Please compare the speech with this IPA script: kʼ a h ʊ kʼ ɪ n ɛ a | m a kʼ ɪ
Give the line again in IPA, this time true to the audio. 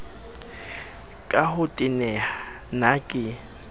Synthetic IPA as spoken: kʼ a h ʊ tʼ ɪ n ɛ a | n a kʼ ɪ

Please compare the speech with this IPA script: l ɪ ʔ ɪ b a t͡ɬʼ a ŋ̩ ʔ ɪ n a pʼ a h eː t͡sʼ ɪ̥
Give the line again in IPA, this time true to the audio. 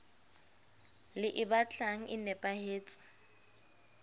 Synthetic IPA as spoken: l ɪ ʔ ɪ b a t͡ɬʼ a ŋ̩ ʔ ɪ n ɛ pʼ a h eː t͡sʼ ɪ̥

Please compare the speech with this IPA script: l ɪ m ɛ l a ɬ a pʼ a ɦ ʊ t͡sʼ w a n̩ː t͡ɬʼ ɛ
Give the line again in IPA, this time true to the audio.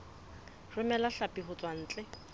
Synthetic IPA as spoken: r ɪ m ɛ l a ɬ a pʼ i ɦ ʊ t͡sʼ w a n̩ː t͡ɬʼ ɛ

